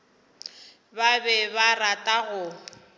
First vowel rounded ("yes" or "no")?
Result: no